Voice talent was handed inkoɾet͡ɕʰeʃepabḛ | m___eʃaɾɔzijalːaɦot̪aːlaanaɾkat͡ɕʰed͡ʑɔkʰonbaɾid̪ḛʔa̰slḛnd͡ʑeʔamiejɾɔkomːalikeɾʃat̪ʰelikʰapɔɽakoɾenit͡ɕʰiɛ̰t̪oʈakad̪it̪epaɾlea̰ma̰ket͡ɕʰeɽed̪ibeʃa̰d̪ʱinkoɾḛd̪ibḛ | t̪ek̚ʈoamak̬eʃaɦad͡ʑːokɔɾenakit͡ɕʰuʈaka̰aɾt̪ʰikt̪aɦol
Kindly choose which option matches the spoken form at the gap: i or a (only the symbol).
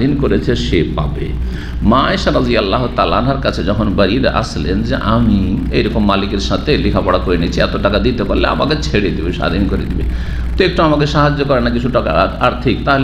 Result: a